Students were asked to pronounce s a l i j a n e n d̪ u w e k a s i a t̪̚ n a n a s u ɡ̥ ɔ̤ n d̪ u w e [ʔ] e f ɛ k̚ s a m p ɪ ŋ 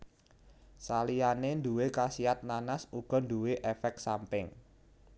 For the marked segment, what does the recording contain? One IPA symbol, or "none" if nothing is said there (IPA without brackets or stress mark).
ʔ